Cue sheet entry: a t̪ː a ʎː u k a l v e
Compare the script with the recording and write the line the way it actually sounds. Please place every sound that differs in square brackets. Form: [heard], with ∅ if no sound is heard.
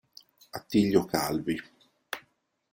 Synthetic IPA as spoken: a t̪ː [i] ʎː [o] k a l v [i]